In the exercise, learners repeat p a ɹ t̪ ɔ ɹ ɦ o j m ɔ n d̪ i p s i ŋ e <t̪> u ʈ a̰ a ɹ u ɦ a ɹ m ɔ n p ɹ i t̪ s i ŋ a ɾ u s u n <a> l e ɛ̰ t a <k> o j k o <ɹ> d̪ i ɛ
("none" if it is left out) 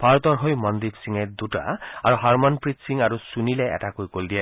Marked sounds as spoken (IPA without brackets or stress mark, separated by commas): d̪, i, k, l